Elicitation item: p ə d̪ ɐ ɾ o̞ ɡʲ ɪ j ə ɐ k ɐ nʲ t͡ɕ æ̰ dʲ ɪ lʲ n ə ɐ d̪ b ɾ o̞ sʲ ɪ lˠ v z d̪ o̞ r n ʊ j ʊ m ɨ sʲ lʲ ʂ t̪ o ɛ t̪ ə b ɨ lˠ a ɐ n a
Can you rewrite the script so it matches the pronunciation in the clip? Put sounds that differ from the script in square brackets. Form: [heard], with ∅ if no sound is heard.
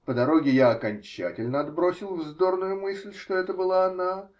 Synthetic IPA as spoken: p ə d̪ ɐ ɾ o̞ ɡʲ ɪ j [a] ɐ k ɐ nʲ t͡ɕ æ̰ [tʲ] ɪ lʲ n ə ɐ d̪ b ɾ o̞ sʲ ɪ lˠ v z d̪ o̞ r n ʊ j ʊ m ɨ sʲ lʲ ʂ t̪ o ɛ t̪ ə b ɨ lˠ a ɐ n a